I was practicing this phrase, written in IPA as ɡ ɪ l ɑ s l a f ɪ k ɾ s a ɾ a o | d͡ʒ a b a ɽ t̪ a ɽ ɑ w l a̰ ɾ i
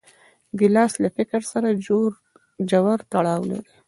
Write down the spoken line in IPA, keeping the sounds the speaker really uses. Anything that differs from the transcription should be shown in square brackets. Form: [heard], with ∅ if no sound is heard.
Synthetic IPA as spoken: ɡ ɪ l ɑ s l a f ɪ k ɾ s a ɾ a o | d͡ʒ a [w] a [ɾ] t̪ a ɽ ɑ w l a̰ ɾ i

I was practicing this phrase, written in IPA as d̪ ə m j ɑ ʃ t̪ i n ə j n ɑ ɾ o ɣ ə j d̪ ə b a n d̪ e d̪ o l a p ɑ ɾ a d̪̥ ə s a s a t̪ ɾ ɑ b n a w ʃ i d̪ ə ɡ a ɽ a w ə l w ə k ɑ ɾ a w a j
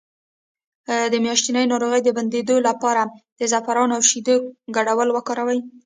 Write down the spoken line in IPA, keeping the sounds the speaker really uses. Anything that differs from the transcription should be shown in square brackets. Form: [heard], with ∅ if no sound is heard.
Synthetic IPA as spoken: d̪ ə m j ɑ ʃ t̪ i n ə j n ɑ ɾ o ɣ ə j d̪ ə b a n d̪ e d̪ o l a p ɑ ɾ a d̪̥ ə [z] a [f] a [∅] ɾ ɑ [∅] n a w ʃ i d̪ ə ɡ a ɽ a w ə l w ə k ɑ ɾ a w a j

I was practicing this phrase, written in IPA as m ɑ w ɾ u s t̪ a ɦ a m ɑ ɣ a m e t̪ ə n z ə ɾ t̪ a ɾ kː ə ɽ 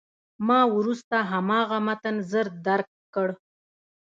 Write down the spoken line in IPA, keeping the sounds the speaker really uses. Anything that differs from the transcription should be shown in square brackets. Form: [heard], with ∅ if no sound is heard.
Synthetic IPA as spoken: m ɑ w ɾ u s t̪ a ɦ a m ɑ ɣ a m [a] t̪ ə n z ə ɾ [d̪] a ɾ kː ə ɽ

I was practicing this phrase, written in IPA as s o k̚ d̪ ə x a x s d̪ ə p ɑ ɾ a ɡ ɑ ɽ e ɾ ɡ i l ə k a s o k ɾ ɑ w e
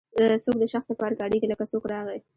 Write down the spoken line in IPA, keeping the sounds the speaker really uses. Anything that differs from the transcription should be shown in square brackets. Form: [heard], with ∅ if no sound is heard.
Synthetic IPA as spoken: s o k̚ d̪ ə [ʃ] a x s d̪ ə p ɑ ɾ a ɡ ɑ ɽ e [∅] ɡ i l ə k a s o k ɾ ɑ [ɣ] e

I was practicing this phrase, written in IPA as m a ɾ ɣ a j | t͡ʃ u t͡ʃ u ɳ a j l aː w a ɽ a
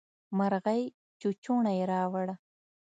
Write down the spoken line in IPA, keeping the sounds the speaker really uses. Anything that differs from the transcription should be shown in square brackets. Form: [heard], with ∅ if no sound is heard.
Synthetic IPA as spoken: m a ɾ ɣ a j | t͡ʃ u t͡ʃ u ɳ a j [ɾ] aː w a ɽ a

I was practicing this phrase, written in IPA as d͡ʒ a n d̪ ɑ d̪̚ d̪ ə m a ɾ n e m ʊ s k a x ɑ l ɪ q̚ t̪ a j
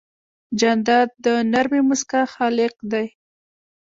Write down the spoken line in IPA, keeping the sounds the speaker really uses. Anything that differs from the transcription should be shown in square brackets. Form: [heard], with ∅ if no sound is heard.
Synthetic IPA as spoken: d͡ʒ a n d̪ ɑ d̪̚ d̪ ə [n] a ɾ [m] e m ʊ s k a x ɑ l ɪ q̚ [d̪] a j

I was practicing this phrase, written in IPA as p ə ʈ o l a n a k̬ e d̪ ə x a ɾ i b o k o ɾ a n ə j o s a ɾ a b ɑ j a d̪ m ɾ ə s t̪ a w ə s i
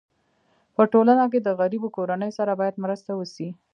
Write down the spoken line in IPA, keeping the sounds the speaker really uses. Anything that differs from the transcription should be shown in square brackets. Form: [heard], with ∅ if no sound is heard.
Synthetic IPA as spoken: p ə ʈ o l a n a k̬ e d̪ ə [ɣ] a ɾ i b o k o ɾ a n ə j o s a ɾ a b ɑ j a d̪ m ɾ ə s t̪ a w ə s i

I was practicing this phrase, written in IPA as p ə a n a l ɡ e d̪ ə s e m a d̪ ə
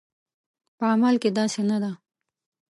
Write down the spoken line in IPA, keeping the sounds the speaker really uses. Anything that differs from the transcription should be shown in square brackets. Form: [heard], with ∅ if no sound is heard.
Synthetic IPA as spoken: p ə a [m] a l [k] e d̪ [ɑ] s e [n] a d̪ [a]

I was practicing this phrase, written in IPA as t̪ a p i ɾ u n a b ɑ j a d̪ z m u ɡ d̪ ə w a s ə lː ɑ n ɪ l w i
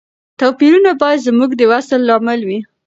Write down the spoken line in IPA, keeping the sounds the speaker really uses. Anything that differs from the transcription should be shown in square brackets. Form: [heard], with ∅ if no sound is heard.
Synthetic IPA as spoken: t̪ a p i ɾ u n a b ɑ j a d̪ z m u ɡ d̪ ə w a s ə lː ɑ [m] ɪ l w i

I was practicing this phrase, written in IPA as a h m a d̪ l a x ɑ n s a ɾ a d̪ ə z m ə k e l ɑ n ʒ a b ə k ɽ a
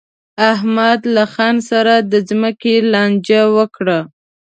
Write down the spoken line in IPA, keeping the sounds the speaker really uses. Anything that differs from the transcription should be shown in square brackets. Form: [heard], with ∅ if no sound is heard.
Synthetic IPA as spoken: a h m a d̪ l a x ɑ n s a ɾ a d̪ ə z m ə k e l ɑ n [d͡ʒ] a [w] ə k ɽ a

